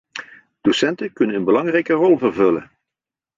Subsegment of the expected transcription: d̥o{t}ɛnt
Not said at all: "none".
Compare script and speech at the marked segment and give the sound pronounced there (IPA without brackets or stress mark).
s